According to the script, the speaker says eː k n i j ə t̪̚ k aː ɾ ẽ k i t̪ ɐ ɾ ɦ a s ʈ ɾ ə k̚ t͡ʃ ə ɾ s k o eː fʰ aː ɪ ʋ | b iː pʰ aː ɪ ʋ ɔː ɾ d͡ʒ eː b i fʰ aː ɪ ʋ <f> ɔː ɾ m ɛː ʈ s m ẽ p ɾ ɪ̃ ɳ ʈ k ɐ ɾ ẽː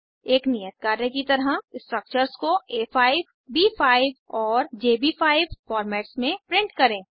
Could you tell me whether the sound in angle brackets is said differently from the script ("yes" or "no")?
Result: no